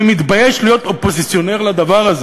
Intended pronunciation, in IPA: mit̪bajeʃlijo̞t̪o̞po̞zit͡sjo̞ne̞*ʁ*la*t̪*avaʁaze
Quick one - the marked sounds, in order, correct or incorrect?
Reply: correct, incorrect: d̪

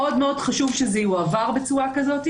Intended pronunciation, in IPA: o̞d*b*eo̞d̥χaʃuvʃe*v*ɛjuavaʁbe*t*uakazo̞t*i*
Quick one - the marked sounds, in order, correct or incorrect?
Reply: incorrect: m, incorrect: z, incorrect: t͡s, correct

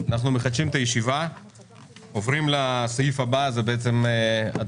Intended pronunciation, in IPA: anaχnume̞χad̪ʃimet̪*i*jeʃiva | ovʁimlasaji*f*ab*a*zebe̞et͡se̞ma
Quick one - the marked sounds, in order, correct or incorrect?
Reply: incorrect: a, correct, correct

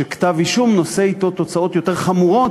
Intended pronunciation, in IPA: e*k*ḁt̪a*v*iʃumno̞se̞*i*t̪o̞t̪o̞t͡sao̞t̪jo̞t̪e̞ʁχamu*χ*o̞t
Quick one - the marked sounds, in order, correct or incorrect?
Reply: correct, correct, correct, incorrect: ʁ

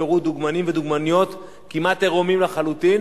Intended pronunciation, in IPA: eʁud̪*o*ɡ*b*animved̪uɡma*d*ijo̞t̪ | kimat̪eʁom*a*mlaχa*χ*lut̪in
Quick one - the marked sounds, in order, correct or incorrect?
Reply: incorrect: u, incorrect: m, incorrect: n, incorrect: i, incorrect: none

